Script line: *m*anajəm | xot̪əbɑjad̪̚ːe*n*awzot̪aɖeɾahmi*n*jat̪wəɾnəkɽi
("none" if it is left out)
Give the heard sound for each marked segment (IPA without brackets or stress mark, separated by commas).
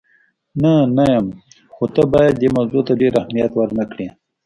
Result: n, m, none